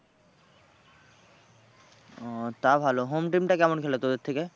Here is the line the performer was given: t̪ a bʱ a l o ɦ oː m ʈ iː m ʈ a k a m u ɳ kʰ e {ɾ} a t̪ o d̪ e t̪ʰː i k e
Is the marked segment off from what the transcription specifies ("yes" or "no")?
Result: yes